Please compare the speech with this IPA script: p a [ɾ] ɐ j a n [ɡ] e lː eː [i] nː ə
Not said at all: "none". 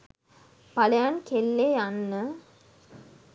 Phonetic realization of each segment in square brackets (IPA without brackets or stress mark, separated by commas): l, k, a